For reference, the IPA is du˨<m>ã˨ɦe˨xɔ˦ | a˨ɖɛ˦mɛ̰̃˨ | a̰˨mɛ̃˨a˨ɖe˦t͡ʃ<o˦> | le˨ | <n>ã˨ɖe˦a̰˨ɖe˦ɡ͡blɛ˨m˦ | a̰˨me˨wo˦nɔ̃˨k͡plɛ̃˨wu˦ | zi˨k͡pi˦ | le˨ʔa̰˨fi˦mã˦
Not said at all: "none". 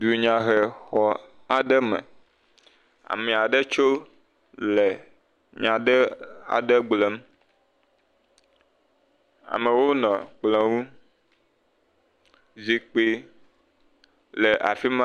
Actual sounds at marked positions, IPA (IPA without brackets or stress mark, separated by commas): ɲ, o˦, ɲ